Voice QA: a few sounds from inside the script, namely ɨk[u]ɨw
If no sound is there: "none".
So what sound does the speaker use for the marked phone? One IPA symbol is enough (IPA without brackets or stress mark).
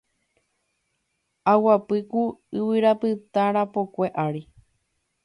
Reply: u